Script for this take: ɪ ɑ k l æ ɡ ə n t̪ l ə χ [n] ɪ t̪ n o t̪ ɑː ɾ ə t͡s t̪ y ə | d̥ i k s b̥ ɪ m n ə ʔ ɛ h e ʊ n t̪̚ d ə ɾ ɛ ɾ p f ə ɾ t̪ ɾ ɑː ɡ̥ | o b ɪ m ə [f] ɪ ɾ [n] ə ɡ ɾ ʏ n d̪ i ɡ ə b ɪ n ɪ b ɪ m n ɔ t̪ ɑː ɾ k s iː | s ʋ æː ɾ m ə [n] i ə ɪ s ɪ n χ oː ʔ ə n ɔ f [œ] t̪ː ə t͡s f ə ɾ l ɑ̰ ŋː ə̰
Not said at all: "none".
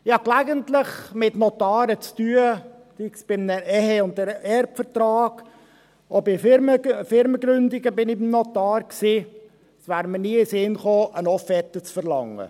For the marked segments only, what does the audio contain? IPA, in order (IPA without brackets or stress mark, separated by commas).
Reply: m, f, m, n, ɛ